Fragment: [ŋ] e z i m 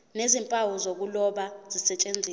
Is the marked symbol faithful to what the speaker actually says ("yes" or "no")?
no